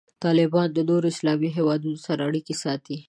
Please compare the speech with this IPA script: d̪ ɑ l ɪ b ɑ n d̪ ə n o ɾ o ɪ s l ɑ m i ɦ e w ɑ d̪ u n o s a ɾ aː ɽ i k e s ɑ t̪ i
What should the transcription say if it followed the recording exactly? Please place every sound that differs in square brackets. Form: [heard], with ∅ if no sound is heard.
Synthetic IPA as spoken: [t̪] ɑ l ɪ b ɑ n d̪ ə n o ɾ o ɪ s l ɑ m i ɦ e w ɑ d̪ u n o s a ɾ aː ɽ i k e s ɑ t̪ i